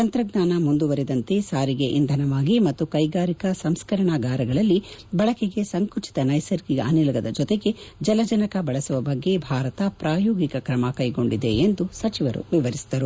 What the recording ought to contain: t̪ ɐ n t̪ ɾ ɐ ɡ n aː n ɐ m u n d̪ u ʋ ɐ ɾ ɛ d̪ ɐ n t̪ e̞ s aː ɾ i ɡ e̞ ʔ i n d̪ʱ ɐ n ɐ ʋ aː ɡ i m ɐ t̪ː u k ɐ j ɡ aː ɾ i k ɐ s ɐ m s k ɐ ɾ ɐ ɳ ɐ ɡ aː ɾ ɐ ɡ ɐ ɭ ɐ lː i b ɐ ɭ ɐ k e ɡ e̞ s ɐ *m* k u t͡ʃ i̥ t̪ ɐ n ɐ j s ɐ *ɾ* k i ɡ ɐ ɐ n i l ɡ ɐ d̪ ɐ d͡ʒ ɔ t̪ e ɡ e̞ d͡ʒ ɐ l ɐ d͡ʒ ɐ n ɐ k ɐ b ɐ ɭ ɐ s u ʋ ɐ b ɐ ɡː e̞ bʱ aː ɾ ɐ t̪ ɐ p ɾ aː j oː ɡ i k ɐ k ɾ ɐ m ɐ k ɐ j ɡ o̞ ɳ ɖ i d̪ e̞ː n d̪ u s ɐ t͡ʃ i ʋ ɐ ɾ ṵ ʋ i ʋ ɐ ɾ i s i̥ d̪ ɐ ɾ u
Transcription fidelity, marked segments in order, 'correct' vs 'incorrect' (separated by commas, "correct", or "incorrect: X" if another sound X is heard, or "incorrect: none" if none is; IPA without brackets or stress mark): incorrect: ŋ, correct